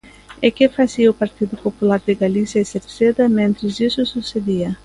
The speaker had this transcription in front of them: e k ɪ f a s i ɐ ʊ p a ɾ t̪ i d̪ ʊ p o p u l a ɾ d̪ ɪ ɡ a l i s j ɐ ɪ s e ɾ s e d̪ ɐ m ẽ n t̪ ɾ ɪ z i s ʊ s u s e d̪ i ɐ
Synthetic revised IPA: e k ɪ f a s i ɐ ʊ p a ɾ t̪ i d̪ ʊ p o p u l a ɾ d̪ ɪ ɡ a l i s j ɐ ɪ s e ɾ s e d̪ ɐ m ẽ n t̪ ɾ ɪ z i s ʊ s u s e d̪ i ɐ